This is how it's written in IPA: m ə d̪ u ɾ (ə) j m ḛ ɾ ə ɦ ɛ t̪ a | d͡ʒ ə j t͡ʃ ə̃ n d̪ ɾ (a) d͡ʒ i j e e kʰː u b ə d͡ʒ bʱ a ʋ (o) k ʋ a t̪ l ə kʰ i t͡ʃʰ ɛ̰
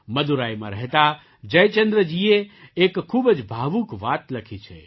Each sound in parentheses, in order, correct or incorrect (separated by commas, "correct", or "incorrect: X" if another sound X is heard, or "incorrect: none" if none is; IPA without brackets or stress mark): incorrect: a, incorrect: ə, incorrect: u